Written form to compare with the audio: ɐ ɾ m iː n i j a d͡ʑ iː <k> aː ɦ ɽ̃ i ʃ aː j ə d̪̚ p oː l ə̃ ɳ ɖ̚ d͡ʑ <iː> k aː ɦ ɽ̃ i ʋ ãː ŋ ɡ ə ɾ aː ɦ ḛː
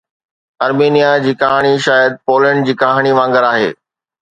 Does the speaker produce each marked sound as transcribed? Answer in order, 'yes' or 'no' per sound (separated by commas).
yes, yes